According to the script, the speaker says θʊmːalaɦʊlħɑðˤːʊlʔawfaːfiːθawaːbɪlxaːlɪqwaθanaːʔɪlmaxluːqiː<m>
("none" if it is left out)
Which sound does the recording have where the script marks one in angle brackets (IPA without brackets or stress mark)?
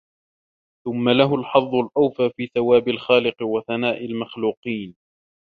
n